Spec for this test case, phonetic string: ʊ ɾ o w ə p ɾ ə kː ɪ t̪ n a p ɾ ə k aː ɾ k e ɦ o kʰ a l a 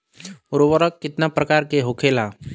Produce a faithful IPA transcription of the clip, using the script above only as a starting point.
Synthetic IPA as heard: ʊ ɾ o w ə ɾ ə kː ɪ t̪ n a p ɾ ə k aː ɾ k e ɦ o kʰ e l a